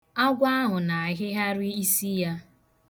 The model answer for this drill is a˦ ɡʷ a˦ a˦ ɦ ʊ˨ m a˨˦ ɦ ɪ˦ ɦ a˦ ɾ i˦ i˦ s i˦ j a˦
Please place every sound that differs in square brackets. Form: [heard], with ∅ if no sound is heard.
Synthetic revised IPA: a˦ ɡʷ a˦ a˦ ɦ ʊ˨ [n] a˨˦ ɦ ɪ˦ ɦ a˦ ɾ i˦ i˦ s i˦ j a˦